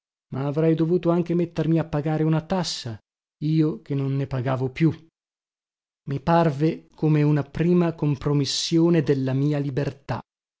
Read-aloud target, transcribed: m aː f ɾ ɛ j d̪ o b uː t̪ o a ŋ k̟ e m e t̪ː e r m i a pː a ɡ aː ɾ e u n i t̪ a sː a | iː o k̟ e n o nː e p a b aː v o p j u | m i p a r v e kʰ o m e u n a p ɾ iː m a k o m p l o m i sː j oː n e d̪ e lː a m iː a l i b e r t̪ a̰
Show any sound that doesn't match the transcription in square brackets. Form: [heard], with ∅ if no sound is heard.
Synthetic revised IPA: m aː [v] ɾ ɛ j d̪ o [v] uː t̪ o a ŋ k̟ e m e t̪ː e r m i a pː a ɡ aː ɾ e u n [a] t̪ a sː a | iː o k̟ e n o nː e p a [ɡ] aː v o p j u | m i p a r v e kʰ o m e u n a p ɾ iː m a k o m p [ɾ] o m i sː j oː n e d̪ e lː a m iː a l i b e r t̪ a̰